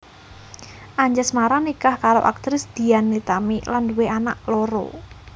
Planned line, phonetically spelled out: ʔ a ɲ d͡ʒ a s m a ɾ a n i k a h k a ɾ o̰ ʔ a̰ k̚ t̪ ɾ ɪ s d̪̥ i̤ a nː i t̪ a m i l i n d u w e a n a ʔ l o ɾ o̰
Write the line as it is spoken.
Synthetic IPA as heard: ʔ a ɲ d͡ʒ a s m a ɾ a n i k a h k a ɾ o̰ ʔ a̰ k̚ t̪ ɾ ɪ s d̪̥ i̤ a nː i t̪ a m i l a n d u w e a n a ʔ l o ɾ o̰